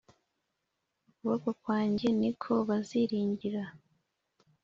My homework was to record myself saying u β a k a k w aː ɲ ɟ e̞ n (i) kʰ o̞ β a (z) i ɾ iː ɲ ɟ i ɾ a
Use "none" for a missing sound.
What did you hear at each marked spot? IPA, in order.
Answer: i, z

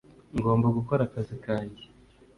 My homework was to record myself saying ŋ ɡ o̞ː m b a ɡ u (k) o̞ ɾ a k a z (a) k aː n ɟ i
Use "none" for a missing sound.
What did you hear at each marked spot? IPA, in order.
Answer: k, i

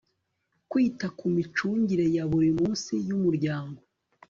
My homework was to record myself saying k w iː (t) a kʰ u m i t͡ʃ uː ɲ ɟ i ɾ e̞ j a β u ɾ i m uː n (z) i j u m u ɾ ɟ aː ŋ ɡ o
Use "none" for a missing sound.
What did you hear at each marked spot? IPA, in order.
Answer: t, s

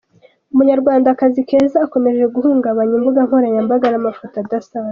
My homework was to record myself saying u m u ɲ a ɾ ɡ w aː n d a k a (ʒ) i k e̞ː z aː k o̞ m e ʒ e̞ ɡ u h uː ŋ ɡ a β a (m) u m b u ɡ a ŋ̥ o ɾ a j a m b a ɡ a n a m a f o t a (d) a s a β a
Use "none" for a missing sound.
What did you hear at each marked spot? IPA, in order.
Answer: z, ɲ, d

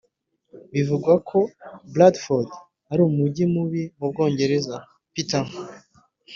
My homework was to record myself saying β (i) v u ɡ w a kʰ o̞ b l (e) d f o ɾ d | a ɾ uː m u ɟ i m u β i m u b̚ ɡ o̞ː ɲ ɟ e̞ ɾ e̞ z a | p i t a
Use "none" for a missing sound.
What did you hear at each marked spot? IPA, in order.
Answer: i, a

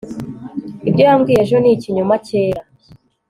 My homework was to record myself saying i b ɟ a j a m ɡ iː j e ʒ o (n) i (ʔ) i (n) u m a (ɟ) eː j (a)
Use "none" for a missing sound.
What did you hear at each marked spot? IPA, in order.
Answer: n, c, ɲ, c, a

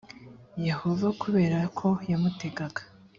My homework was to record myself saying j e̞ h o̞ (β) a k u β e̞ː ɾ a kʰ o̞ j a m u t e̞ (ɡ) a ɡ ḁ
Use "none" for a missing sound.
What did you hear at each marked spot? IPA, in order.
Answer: v, ɡ

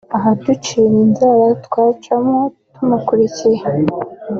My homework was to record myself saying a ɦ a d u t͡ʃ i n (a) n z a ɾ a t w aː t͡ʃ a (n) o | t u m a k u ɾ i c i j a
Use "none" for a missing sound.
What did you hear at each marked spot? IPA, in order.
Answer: i, m

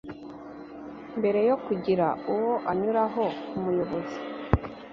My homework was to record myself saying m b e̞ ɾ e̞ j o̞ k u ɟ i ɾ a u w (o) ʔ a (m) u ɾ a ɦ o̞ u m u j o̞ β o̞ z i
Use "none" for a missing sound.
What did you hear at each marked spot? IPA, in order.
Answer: o, ɲ

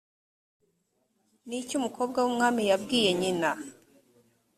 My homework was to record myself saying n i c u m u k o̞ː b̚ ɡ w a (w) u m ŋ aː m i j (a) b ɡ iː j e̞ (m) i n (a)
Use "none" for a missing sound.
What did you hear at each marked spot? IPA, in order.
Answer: w, a, ɲ, a

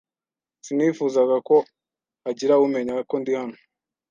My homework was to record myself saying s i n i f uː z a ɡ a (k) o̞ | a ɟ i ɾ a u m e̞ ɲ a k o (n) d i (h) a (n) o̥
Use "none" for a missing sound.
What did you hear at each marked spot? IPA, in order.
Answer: k, n, h, n

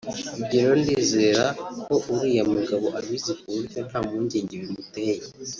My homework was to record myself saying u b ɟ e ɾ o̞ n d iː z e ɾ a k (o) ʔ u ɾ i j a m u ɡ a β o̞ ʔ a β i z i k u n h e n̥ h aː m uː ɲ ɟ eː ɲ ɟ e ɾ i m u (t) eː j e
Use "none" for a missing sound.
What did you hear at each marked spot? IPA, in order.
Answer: o, t

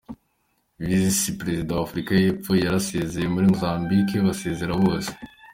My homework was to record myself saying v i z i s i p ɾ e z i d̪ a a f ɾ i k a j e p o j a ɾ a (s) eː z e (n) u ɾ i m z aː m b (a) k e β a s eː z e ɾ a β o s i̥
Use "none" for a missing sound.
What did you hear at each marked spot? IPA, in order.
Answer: s, m, i

